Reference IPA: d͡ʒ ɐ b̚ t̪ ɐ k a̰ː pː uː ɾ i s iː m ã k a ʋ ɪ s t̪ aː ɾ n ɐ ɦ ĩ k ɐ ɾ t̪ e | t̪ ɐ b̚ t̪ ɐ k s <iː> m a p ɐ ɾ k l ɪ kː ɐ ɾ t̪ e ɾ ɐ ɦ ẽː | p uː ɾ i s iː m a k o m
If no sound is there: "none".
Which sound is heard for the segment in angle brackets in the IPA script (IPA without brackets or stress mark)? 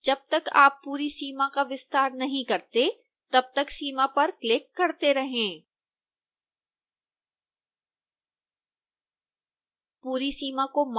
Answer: iː